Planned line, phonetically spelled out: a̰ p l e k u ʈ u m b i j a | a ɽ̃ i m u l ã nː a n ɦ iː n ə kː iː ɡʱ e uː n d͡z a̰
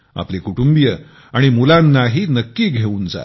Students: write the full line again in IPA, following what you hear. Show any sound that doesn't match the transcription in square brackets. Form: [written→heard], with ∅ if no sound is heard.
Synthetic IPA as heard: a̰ p l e k u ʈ u m b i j [a→ə] | a ɽ̃ i m u l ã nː a [n→∅] ɦ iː n ə kː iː ɡʱ e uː n d͡z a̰